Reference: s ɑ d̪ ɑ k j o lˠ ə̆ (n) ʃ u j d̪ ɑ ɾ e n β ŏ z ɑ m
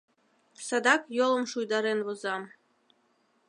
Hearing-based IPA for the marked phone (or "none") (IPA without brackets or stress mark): m